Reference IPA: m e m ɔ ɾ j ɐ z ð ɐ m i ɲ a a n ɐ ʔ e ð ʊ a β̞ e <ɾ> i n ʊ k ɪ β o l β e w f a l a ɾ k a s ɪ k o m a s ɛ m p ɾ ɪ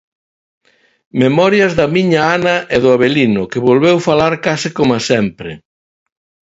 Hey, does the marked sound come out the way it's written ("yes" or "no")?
no